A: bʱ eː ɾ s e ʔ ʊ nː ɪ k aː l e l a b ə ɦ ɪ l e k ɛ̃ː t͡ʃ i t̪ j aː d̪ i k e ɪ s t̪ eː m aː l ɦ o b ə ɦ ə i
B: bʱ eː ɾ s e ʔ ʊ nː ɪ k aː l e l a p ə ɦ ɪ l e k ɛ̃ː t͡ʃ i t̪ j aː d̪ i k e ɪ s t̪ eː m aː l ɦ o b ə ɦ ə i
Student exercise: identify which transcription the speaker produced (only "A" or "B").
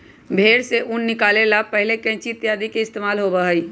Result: B